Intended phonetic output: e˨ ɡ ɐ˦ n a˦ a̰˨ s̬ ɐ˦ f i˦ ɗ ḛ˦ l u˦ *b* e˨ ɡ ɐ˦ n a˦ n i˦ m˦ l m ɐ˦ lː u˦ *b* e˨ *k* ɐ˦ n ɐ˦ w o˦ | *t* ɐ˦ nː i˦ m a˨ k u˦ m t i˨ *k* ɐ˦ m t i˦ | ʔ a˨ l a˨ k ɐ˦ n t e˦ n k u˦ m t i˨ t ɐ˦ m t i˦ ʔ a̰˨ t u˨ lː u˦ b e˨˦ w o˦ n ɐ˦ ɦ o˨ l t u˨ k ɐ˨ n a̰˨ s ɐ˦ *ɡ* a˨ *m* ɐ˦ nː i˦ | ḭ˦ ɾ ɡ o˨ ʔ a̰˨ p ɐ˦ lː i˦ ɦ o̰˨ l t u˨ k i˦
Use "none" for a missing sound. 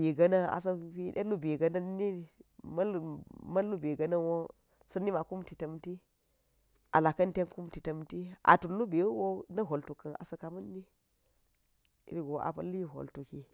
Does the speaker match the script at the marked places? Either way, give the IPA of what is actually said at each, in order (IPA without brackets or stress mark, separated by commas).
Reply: b, b, ɡ, s, t, k, m